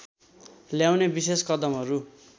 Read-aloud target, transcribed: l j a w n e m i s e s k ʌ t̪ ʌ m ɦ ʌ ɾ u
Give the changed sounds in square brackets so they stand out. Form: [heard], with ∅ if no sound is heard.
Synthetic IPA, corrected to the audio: l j a w n e [b] i s e s k ʌ [d̪] ʌ m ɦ ʌ ɾ u